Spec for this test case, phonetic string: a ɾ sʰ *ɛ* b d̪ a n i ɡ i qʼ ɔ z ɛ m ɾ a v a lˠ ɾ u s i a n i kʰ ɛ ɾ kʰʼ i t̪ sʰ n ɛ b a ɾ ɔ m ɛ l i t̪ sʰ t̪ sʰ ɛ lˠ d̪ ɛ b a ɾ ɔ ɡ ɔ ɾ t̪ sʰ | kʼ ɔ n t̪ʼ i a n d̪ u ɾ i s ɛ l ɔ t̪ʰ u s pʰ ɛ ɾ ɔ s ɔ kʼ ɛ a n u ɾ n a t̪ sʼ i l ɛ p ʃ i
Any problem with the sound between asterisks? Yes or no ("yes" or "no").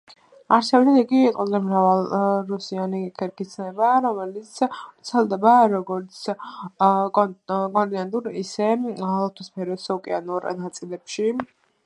no